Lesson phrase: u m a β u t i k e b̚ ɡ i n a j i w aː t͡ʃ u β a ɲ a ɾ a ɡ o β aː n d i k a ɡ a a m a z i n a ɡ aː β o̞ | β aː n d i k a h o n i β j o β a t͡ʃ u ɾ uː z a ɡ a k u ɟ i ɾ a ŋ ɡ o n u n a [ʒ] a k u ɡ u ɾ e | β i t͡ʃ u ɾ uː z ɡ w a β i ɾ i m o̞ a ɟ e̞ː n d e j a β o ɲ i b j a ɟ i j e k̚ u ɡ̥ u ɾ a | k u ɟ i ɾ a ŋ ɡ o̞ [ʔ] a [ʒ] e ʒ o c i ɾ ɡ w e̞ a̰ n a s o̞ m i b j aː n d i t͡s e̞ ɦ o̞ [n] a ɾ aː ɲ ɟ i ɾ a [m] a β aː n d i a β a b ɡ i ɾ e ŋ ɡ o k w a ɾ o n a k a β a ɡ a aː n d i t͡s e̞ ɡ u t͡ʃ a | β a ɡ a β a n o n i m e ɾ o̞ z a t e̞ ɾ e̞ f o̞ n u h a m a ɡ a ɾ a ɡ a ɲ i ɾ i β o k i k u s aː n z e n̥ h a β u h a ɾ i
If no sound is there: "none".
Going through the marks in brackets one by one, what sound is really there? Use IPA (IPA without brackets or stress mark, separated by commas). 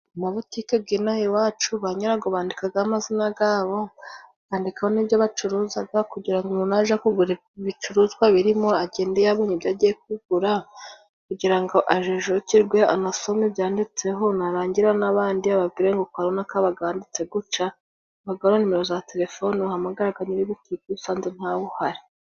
ʒ, ʔ, ʒ, n, n